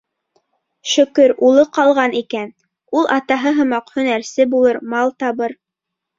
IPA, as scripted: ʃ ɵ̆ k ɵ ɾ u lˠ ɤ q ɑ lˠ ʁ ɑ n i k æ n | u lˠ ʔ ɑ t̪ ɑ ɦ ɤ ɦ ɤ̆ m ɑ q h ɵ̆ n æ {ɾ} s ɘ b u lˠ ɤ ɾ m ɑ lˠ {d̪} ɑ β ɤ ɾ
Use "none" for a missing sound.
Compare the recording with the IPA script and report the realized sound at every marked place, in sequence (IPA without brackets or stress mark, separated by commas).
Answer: ɾ, t̪